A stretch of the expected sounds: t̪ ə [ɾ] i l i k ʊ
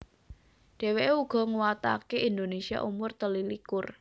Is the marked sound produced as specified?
no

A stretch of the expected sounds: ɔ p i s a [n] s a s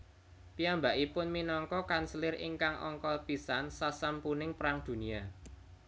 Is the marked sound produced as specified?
yes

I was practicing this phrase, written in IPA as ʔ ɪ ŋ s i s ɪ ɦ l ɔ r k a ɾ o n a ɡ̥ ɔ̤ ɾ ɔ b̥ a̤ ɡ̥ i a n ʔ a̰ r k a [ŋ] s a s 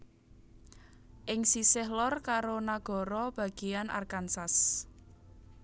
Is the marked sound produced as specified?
no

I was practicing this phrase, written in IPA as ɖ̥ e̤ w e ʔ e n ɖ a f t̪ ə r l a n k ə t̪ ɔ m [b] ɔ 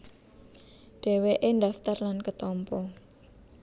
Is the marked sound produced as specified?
no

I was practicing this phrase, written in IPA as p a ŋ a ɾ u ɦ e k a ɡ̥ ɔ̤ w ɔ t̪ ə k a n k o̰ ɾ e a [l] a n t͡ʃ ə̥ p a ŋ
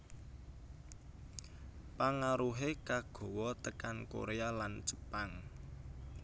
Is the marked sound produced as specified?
yes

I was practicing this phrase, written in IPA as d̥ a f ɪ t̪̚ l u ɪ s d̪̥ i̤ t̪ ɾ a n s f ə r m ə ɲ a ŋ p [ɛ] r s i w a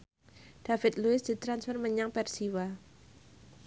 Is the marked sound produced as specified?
yes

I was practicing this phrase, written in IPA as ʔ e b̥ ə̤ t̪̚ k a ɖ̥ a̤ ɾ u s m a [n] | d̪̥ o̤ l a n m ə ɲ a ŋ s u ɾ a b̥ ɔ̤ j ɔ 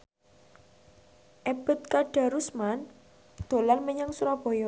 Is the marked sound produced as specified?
yes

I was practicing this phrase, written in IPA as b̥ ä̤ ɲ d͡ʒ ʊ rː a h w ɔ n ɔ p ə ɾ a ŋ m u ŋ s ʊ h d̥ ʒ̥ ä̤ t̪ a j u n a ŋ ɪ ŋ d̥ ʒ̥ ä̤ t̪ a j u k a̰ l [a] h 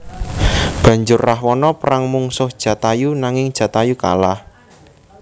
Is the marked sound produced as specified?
yes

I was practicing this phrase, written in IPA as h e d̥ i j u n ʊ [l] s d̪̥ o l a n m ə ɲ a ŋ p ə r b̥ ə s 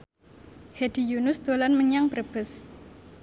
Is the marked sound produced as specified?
no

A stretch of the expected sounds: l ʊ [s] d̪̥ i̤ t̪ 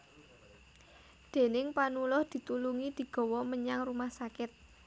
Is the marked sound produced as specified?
no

